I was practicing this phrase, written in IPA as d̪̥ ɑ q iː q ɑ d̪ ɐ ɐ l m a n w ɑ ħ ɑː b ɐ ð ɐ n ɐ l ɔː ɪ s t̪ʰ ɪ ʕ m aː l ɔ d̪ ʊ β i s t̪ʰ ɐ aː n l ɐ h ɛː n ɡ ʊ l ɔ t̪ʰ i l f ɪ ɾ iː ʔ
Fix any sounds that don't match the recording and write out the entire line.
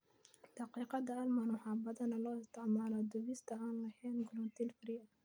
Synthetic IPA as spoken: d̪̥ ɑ q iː q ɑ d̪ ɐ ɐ l m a n w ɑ ħ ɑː b ɐ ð ɐ n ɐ l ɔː ɪ s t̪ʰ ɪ ʕ m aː l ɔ d̪ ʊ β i s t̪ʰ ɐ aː n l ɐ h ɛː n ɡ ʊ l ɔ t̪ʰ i l f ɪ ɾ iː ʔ